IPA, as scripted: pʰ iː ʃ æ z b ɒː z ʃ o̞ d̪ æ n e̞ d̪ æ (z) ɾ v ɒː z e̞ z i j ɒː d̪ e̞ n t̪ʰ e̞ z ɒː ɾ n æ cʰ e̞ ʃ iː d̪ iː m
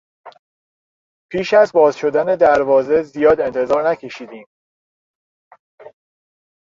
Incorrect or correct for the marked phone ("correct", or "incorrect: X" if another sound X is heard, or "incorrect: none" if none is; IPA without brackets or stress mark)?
incorrect: none